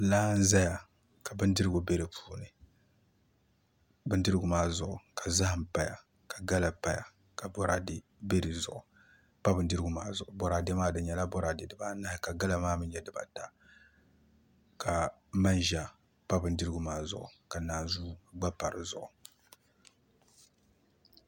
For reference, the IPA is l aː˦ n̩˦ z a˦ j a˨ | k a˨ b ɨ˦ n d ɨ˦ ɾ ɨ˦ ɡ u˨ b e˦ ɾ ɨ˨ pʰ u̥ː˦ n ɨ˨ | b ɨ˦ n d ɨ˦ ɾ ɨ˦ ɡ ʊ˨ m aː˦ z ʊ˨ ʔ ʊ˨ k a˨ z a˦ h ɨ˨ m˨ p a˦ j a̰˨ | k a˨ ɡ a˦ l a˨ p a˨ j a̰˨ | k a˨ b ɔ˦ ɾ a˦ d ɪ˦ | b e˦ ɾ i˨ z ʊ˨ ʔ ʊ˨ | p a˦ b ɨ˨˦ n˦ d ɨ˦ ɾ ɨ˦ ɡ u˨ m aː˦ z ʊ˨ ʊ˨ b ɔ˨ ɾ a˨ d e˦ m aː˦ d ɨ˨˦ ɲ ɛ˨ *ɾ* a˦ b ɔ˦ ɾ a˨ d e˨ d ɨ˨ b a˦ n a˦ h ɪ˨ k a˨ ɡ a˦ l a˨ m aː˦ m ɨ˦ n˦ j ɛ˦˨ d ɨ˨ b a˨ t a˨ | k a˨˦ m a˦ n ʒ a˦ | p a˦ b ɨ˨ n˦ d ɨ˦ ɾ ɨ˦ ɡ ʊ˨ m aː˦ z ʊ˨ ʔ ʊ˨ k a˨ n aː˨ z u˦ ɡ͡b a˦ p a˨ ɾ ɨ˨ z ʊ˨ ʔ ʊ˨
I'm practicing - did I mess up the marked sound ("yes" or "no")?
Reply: yes